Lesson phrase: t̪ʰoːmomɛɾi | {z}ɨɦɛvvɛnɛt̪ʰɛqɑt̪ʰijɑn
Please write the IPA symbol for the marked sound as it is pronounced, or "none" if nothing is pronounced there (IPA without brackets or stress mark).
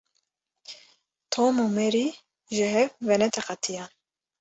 ʒ